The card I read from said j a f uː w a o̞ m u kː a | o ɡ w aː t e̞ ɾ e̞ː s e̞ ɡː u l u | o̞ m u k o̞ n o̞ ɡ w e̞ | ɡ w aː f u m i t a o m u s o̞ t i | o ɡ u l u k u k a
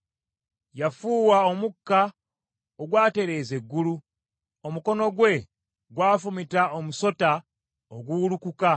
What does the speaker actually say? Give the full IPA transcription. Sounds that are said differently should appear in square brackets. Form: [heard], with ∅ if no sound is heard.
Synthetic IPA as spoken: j a f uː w a o̞ m u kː a | o ɡ w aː t e̞ ɾ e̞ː [z] e̞ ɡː u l u | o̞ m u k o̞ n o̞ ɡ w e̞ | ɡ w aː f u m i t a o m u s o̞ t [a] | o ɡ u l u k u k a